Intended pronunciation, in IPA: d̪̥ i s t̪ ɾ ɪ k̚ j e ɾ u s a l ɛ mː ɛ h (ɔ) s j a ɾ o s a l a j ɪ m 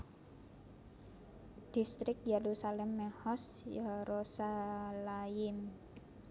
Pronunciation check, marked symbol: correct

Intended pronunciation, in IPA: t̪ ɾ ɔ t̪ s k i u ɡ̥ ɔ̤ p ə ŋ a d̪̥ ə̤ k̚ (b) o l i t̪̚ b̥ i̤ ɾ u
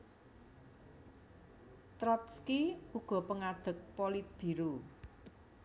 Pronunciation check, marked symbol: incorrect: p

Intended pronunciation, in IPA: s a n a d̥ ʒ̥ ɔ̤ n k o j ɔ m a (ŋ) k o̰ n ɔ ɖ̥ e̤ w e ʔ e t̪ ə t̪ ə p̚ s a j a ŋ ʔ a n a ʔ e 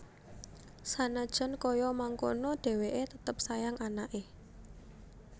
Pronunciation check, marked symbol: correct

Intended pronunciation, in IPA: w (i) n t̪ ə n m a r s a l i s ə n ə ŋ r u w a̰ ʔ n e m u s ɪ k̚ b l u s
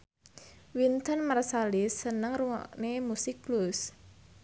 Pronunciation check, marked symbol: correct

